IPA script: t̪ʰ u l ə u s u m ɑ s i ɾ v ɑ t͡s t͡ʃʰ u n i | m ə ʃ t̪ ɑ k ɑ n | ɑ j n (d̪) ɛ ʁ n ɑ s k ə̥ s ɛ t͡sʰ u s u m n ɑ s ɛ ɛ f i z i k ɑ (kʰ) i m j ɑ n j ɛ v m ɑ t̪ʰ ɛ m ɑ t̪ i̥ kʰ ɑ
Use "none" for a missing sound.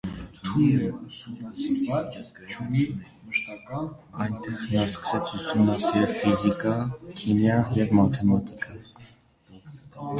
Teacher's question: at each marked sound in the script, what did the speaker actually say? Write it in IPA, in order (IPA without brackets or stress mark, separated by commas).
t̪, kʰ